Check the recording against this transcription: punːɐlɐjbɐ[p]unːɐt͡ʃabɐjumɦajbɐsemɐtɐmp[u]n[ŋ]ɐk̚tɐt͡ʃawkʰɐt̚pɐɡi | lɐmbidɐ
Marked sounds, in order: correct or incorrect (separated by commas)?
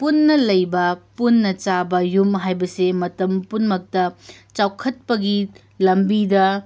correct, correct, incorrect